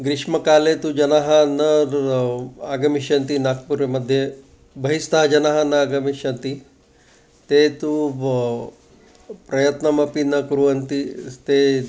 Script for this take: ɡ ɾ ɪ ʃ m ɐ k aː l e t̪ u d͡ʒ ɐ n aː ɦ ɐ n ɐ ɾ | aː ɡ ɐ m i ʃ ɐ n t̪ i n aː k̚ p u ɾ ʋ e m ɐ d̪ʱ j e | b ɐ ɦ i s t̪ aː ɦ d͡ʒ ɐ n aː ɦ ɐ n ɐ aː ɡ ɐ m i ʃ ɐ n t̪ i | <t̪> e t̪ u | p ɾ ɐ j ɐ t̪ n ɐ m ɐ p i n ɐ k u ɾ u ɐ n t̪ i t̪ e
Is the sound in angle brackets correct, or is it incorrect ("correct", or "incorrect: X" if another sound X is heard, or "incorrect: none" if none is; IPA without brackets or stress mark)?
correct